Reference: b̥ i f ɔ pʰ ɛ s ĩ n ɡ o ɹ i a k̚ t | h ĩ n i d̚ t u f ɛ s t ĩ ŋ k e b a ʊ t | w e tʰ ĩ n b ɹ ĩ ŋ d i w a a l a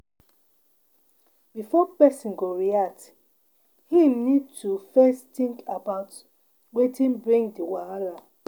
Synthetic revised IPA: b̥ i f ɔ p ɛ s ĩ n ɡ o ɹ i a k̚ t | h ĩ n i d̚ t u f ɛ s t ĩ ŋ k a b a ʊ t | w e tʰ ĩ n b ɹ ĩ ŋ d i w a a l a